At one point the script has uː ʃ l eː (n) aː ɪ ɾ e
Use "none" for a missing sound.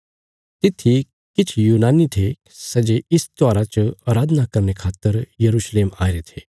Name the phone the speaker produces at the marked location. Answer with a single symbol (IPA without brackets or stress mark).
m